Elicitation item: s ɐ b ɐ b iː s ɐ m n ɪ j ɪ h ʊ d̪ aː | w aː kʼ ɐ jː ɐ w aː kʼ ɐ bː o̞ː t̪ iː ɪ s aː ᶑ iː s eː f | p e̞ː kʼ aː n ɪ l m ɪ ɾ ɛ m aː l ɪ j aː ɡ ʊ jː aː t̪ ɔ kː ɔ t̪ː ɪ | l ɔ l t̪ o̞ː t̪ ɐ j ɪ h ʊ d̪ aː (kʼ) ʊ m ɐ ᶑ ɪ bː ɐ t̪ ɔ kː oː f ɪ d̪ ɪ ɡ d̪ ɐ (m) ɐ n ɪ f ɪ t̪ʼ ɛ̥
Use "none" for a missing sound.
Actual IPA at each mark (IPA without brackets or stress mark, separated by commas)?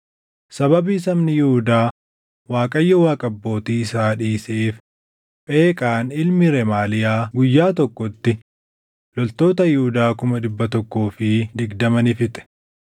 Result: k, m